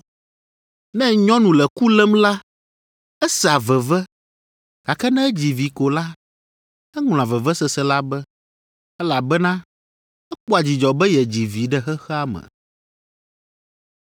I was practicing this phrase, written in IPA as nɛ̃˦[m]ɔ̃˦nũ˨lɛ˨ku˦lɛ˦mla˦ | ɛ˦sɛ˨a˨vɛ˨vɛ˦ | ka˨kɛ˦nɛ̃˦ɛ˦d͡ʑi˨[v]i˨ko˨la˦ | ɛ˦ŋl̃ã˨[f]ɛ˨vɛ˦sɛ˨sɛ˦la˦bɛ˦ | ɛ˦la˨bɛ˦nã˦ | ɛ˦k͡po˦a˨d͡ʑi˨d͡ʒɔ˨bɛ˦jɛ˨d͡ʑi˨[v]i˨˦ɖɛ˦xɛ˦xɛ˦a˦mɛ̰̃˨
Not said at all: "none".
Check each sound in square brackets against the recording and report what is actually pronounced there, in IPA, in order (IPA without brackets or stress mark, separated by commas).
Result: ɲ, v, v, v